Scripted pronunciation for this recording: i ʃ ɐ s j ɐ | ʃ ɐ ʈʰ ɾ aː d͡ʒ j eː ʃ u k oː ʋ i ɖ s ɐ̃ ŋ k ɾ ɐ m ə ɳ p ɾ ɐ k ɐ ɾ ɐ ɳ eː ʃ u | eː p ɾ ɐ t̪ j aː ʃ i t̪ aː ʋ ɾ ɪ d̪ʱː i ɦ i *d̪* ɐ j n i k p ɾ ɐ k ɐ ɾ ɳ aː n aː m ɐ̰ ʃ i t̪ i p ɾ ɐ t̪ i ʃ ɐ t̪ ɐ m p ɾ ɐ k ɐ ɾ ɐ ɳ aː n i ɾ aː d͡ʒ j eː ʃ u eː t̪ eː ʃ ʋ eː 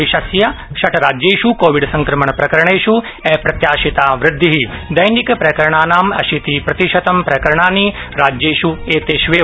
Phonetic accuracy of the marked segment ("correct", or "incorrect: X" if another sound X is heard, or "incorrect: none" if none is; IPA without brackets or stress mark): correct